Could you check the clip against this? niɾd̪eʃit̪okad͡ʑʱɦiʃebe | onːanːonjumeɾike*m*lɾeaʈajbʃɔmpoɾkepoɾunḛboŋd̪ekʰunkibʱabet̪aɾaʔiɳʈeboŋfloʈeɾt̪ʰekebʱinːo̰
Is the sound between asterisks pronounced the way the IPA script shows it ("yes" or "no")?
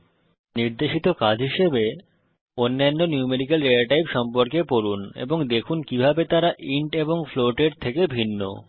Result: no